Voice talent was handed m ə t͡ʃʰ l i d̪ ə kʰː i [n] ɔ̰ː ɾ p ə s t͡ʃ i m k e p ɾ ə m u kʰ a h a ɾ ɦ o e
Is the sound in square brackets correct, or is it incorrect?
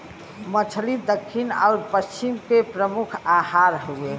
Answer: correct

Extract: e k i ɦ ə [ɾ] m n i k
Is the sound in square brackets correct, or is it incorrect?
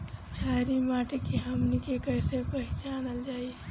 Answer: incorrect: none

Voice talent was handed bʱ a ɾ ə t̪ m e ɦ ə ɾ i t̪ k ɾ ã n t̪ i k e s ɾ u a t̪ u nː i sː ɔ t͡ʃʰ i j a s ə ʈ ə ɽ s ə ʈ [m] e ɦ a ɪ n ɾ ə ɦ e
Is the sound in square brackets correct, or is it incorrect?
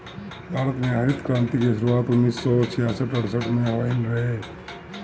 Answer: correct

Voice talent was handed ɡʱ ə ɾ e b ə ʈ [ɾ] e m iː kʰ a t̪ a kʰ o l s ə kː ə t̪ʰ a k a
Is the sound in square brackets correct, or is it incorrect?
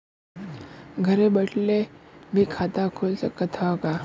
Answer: incorrect: l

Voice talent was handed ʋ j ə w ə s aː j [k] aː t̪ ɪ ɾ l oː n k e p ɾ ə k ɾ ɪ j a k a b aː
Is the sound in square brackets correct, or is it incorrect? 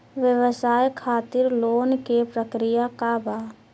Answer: incorrect: kʰ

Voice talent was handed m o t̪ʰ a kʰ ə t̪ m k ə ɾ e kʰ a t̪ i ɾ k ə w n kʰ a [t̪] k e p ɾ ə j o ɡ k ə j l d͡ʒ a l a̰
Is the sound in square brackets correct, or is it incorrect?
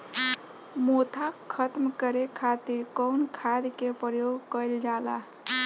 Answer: incorrect: d̪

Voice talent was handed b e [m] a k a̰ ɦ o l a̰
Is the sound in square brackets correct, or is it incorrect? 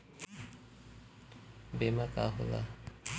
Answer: correct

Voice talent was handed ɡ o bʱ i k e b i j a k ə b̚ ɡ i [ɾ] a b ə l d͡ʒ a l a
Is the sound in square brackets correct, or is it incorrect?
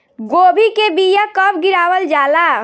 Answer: correct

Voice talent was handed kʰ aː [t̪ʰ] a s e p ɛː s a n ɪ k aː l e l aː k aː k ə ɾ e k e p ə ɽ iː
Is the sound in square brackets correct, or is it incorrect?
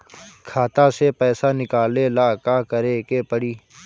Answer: incorrect: t̪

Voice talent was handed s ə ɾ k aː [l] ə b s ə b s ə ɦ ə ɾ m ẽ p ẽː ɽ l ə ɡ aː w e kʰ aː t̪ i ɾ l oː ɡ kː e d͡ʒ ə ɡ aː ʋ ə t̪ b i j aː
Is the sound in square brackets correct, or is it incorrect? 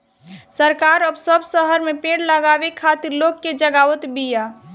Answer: incorrect: ɾ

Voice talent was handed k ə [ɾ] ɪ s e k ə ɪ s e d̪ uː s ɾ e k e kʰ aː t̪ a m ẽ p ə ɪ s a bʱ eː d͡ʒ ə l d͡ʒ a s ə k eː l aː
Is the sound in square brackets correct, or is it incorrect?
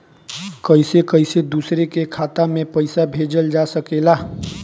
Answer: incorrect: none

